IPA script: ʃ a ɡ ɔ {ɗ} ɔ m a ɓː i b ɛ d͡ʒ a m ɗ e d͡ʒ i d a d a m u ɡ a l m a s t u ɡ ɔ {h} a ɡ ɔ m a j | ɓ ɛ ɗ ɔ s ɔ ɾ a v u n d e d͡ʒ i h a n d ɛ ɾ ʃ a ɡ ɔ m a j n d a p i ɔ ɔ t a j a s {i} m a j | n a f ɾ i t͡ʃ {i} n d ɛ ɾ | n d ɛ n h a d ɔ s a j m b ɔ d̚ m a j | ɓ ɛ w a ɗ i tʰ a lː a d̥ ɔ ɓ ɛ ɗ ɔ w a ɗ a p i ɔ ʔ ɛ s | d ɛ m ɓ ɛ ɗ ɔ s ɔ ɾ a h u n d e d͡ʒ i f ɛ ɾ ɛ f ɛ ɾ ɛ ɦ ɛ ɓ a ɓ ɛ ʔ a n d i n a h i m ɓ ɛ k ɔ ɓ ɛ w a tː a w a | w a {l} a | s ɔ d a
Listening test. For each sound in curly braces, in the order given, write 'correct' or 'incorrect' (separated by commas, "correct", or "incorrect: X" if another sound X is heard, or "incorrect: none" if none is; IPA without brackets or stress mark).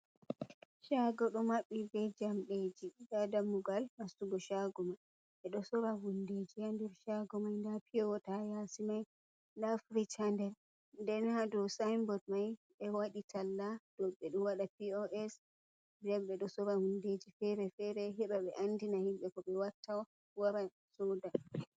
correct, incorrect: ʃ, correct, incorrect: a, incorrect: ɾ